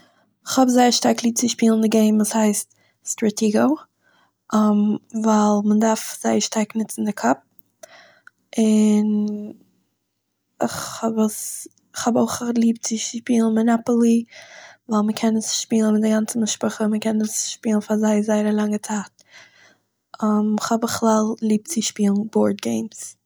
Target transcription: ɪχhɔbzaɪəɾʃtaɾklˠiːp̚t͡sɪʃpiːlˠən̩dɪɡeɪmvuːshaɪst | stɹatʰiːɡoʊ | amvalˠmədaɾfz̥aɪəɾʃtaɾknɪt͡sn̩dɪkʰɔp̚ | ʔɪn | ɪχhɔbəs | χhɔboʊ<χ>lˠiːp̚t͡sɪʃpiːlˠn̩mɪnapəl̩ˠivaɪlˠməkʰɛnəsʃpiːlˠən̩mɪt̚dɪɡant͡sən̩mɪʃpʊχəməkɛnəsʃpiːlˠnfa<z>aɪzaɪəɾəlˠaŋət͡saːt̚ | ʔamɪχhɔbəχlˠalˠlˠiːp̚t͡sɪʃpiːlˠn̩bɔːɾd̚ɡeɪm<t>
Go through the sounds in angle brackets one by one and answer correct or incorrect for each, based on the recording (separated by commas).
correct, correct, incorrect